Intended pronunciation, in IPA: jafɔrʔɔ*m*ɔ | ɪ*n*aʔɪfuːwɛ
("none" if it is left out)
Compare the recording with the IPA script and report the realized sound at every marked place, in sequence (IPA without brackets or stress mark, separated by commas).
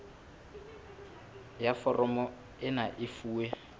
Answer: m, n